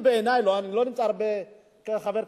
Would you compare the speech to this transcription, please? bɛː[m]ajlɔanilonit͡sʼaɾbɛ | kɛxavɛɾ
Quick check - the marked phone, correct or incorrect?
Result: incorrect